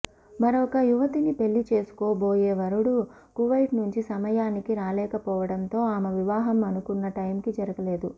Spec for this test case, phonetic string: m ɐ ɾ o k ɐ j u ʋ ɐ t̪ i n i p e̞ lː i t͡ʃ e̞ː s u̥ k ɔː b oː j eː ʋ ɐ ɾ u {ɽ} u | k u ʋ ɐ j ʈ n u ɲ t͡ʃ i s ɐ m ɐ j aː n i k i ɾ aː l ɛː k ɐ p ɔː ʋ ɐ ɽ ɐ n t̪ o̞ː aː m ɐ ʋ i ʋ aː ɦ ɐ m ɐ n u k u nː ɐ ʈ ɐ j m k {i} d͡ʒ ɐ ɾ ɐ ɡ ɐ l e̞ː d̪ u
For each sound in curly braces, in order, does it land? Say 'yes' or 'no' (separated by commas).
yes, yes